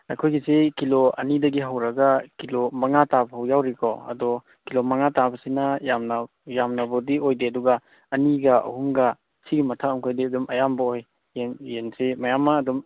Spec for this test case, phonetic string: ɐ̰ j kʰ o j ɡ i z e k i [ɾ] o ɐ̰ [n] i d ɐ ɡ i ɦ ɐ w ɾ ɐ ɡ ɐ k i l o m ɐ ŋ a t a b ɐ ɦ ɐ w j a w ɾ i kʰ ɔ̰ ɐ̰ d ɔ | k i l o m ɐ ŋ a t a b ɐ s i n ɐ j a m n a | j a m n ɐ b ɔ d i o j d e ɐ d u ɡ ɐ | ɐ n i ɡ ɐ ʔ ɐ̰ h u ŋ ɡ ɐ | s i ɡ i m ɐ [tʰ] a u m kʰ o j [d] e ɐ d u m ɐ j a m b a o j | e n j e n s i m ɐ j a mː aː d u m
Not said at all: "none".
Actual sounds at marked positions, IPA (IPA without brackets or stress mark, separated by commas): l, n, tʰ, d